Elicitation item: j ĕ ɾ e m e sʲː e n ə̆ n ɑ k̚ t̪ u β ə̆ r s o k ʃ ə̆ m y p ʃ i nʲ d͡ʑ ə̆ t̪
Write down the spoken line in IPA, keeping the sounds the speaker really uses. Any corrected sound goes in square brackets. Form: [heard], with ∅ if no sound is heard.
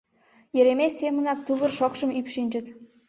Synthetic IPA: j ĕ ɾ e m e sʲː e [m] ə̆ n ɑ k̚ t̪ u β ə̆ r [ʃ] o k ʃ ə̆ m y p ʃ i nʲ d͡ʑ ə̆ t̪